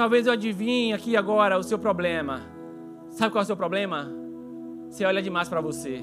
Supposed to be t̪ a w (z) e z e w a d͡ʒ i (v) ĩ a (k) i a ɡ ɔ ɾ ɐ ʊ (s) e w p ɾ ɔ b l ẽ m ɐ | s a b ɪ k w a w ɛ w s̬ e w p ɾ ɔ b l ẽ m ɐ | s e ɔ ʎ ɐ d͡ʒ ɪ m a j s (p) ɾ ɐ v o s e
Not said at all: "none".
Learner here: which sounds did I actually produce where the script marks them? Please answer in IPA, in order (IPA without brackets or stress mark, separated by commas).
v, v, k, s, p